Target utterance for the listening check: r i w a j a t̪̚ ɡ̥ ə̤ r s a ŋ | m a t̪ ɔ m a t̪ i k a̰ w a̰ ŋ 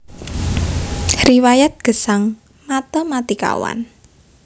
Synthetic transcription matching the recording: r i w a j a t̪̚ ɡ̥ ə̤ s a ŋ | m a t̪ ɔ m a t̪ i k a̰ w a̰ n